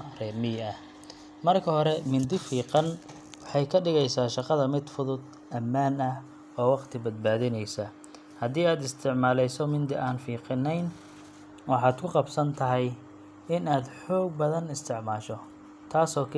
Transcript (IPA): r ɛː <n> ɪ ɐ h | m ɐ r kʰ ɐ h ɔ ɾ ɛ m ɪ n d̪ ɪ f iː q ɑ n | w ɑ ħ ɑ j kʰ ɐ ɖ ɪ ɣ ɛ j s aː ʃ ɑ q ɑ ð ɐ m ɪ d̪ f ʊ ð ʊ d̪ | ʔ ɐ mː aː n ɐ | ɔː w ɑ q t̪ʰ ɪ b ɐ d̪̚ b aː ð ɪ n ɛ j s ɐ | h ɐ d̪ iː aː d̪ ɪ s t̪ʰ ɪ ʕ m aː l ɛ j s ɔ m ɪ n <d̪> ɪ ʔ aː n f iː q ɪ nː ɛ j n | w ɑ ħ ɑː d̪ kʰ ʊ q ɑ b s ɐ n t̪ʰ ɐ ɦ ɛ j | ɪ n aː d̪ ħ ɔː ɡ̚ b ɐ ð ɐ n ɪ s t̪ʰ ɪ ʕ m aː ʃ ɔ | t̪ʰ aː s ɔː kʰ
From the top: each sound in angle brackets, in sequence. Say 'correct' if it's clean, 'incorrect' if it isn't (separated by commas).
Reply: incorrect, correct